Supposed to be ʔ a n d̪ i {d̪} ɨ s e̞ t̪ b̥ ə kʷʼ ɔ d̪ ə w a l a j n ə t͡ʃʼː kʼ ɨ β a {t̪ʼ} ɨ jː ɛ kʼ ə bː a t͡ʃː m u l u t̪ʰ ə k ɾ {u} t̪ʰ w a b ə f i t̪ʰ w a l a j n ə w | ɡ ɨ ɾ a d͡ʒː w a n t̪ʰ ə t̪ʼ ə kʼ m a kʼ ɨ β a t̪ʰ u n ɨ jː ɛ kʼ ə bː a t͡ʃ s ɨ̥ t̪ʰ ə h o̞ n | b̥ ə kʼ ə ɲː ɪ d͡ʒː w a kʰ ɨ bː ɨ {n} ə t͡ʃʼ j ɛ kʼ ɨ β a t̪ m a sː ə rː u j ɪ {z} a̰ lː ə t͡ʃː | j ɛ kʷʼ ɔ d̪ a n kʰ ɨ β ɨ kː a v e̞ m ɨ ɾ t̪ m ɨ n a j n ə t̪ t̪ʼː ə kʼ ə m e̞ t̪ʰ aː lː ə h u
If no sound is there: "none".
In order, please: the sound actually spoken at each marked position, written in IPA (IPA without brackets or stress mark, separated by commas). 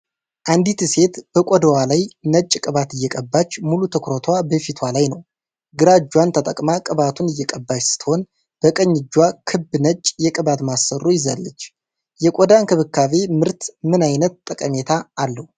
t̪, t̪, o, n, z